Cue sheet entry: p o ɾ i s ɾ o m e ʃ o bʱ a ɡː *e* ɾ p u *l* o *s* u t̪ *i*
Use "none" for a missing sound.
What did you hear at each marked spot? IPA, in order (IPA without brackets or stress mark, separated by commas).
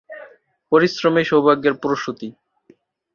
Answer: e, ɾ, ʃ, i